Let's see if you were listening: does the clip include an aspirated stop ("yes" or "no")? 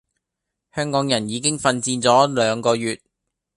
no